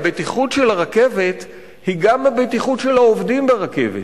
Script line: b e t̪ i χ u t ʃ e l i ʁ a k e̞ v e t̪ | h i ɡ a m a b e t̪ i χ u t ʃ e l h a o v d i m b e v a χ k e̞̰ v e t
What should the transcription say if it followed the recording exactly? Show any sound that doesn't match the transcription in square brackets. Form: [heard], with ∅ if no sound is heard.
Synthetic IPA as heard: b e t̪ i χ u t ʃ e l [a] ʁ a k e̞ v e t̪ | h i ɡ a m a b e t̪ i χ u t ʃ e l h a o v d i m b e [ʁ] a [∅] k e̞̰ v e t